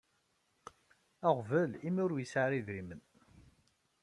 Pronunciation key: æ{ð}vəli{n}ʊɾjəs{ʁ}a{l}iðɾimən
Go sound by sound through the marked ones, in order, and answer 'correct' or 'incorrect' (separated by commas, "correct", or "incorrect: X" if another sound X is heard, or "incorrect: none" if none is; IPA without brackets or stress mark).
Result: incorrect: ʁ, incorrect: m, incorrect: ʕ, incorrect: ɾ